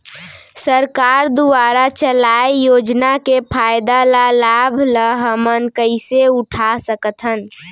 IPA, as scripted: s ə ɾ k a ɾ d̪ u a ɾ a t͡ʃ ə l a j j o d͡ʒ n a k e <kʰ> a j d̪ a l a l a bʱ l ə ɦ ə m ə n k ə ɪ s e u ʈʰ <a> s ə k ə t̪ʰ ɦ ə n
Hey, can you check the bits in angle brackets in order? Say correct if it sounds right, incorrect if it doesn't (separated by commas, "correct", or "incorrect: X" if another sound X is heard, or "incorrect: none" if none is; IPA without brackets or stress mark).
incorrect: pʰ, correct